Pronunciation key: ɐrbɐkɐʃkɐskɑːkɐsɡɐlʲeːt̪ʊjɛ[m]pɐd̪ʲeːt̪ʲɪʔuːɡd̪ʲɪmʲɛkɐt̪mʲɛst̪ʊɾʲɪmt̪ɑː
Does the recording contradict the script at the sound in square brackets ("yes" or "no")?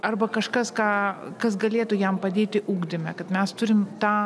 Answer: no